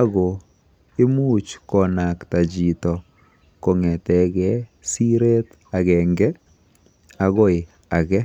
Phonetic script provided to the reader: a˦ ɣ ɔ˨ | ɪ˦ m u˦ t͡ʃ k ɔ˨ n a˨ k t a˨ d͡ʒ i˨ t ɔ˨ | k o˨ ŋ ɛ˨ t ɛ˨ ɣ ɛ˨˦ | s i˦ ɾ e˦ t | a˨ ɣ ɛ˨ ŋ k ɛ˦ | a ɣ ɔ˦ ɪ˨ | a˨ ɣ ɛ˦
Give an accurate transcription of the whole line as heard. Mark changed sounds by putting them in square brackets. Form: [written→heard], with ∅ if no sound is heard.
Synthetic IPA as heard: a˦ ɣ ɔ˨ | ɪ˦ m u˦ t͡ʃ k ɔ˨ n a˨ k t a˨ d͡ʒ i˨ t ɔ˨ | k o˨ ŋ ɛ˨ t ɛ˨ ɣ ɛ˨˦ | s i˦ ɾ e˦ t | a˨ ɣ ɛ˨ ŋ [k→ɡ] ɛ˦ | a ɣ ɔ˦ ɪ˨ | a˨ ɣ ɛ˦